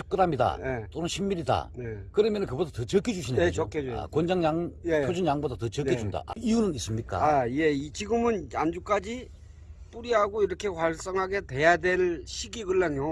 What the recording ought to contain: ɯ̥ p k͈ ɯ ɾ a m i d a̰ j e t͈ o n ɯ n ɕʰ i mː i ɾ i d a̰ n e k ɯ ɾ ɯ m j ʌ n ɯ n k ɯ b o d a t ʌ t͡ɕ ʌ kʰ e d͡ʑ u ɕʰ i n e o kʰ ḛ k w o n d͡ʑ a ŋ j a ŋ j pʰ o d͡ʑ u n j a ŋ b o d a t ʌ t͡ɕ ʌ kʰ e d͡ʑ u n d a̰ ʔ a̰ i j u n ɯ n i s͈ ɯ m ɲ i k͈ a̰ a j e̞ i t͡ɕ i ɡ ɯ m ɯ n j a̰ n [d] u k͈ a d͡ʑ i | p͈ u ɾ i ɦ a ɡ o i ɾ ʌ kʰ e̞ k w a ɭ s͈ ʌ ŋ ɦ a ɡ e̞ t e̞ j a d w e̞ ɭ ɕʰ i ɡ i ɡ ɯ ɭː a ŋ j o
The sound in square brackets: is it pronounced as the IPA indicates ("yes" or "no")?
no